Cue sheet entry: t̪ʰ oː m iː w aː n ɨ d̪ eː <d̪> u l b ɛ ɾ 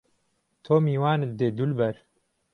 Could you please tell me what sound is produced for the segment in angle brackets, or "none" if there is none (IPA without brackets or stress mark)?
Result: d̪